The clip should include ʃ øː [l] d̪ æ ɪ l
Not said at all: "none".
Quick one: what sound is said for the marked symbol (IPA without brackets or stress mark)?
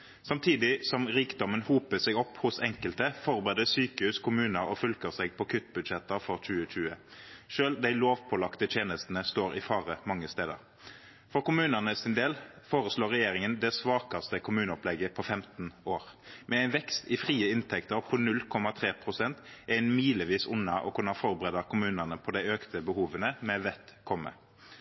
l